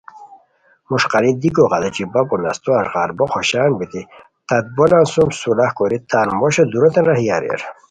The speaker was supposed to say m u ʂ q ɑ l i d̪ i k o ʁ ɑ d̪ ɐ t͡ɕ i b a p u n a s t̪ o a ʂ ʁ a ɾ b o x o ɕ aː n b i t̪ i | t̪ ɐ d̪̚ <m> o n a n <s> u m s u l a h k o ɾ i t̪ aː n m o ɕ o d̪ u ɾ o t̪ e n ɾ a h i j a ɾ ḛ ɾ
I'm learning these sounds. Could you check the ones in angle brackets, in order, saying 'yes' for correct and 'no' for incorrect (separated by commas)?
no, yes